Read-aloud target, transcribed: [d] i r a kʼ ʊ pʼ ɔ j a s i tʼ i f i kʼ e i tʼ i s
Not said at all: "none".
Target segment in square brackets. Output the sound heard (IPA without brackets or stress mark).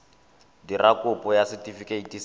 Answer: d